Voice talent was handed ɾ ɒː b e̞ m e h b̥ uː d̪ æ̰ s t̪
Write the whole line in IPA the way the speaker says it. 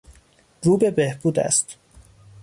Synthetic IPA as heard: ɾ uː b e̞ b e h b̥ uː d̪ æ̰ s t̪